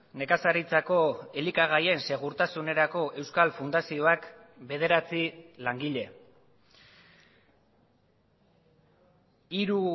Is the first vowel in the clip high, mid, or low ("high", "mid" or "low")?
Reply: mid